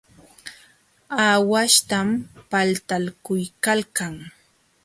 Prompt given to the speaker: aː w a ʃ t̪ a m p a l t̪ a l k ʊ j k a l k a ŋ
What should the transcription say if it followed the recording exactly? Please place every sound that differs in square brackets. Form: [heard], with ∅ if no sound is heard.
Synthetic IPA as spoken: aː w a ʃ t̪ a m p a l t̪ a l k ʊ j k a l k a ŋ